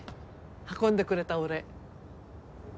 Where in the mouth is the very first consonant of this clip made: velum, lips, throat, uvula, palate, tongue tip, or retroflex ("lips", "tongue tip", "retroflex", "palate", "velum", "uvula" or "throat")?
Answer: throat